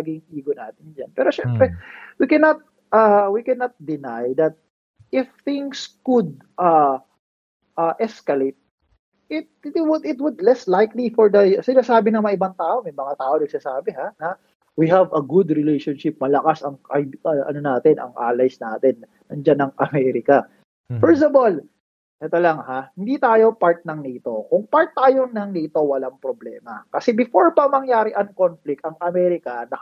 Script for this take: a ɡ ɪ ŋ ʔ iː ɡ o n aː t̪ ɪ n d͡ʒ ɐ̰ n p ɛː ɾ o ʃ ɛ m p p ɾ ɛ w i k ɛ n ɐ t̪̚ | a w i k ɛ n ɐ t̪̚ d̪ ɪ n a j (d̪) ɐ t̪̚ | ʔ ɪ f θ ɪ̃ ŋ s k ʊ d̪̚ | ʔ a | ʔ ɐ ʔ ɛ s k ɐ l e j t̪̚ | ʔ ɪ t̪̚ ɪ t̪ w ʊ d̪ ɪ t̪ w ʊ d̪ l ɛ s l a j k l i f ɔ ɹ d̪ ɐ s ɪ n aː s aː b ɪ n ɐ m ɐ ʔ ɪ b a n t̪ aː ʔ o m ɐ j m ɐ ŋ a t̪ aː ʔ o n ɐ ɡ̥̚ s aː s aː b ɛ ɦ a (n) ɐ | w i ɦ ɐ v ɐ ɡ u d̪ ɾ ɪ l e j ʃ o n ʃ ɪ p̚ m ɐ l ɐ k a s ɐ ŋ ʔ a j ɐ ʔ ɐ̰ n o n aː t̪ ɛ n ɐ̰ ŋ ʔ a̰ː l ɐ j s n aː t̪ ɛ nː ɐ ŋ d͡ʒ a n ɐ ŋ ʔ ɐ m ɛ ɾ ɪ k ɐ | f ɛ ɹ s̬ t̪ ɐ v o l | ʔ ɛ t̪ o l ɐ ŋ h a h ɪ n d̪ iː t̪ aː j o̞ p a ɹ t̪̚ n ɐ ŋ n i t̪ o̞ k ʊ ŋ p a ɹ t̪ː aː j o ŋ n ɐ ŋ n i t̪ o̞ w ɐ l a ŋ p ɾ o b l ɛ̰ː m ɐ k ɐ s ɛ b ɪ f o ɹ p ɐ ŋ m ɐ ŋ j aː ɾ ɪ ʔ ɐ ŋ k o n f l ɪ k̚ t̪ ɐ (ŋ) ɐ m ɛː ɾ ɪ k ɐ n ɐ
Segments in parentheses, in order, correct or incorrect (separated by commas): correct, correct, correct